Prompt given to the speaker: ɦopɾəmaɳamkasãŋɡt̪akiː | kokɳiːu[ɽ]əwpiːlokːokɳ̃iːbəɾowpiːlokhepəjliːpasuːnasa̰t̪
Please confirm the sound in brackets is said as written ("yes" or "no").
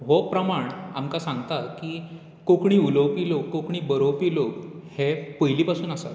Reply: no